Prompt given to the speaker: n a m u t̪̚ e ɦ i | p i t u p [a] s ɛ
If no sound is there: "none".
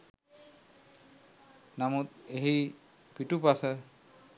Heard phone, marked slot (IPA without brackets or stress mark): a